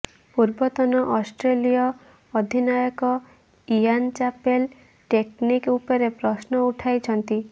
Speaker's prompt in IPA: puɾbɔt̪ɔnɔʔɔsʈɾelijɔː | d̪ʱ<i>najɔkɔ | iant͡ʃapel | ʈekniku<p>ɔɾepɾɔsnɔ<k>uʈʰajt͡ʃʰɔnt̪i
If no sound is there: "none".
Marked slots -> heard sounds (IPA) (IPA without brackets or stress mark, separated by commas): i, p, none